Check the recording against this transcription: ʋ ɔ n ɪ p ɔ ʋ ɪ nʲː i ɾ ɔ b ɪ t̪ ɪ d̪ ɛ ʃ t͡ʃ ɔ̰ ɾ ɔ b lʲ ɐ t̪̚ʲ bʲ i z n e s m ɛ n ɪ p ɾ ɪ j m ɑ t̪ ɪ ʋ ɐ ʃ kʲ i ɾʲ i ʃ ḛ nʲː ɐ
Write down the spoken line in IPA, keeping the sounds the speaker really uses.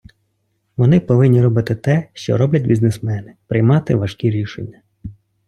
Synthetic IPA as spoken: ʋ ɔ n ɪ p ɔ ʋ ɪ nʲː i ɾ ɔ b ɪ t̪ ɪ t̪ ɛ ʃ t͡ʃ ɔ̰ ɾ ɔ b lʲ ɐ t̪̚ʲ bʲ i z n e s m ɛ n ɪ p ɾ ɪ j m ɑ t̪ ɪ ʋ ɐ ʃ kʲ i ɾʲ i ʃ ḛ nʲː ɐ